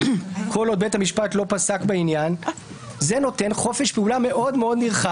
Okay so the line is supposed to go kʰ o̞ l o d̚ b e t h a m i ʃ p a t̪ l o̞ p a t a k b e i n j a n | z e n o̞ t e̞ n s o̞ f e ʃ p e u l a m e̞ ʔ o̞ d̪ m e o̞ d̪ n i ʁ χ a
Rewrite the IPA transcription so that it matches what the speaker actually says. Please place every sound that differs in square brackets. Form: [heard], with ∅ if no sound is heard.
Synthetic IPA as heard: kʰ o̞ l o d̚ b e t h a m i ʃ p a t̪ l o̞ p a [s] a k b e i n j a n | z e n o̞ t e̞ n [χ] o̞ f e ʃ p e u l a m e̞ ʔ o̞ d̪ m e o̞ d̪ n i ʁ χ a